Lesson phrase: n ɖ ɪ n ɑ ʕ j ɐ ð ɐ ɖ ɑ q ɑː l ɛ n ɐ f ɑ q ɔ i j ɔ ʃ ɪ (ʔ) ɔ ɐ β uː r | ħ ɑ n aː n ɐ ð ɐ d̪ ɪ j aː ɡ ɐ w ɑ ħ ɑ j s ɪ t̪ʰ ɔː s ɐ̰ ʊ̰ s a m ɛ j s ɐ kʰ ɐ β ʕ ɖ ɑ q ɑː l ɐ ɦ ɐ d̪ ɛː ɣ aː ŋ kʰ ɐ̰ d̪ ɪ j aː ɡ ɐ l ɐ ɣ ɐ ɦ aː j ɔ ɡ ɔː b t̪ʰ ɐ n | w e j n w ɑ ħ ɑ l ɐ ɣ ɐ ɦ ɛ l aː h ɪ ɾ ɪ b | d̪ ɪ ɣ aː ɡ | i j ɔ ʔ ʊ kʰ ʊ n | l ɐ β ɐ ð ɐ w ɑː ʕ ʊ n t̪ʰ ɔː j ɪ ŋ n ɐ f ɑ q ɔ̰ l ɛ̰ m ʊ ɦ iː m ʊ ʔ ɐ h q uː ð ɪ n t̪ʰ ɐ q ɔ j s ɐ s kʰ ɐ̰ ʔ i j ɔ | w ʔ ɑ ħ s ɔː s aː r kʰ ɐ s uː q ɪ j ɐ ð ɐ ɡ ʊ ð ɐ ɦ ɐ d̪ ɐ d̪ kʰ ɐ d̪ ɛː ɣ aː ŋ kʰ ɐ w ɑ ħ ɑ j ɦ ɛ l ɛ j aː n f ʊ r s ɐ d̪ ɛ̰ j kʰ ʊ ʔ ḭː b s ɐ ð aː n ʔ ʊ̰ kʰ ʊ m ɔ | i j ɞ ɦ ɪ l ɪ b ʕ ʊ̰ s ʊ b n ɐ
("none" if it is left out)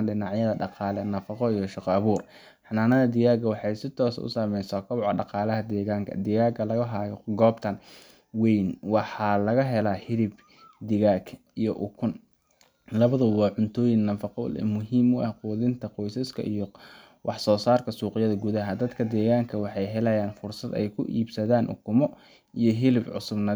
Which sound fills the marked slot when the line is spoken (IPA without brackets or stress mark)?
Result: q